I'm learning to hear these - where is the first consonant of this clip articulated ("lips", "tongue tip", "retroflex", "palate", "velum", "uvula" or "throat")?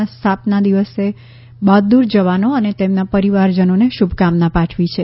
tongue tip